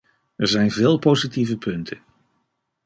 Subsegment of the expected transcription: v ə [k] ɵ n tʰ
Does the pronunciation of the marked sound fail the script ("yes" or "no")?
yes